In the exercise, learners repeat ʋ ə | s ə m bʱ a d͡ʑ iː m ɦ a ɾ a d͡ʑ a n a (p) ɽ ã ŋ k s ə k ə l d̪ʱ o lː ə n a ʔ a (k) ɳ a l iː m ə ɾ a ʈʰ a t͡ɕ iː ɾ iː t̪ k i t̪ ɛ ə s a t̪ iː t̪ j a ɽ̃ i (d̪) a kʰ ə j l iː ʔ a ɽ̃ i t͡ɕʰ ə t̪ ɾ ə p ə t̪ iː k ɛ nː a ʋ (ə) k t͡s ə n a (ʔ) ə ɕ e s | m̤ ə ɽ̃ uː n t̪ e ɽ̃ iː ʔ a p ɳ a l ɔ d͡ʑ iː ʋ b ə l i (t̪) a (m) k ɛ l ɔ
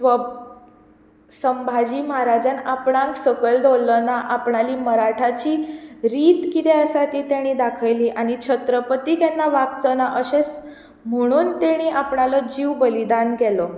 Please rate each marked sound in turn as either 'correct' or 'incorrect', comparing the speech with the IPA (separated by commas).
correct, incorrect, correct, incorrect, correct, incorrect, incorrect